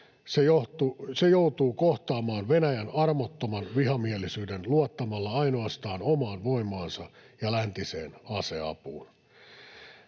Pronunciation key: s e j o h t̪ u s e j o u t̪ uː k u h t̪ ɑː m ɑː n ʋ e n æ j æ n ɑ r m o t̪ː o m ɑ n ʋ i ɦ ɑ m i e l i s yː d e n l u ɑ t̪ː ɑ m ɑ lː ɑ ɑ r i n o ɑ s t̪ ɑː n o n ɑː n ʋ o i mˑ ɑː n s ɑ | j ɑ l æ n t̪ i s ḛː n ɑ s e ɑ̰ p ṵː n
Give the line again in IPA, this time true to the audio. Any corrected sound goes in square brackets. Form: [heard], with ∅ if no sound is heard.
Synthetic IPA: s e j o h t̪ u s e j o u t̪ uː k [o] h t̪ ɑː m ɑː n ʋ e n æ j æ n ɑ r m o t̪ː o m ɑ n ʋ i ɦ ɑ m i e l i s yː d e n l u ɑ t̪ː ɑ m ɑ lː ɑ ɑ [∅] i n o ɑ s t̪ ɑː n o [m] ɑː n ʋ o i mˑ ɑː n s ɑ | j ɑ l æ n t̪ i s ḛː n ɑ s e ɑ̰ p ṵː n